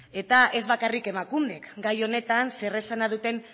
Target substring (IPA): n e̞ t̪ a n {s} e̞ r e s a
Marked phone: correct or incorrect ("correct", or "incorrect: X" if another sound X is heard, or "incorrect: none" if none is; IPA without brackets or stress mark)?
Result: correct